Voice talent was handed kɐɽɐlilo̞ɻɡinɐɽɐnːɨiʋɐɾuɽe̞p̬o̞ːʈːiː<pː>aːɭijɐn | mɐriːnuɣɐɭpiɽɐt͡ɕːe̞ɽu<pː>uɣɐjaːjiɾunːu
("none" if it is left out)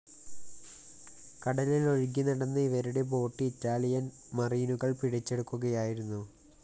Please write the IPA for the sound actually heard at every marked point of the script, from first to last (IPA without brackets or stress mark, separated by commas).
tː, kː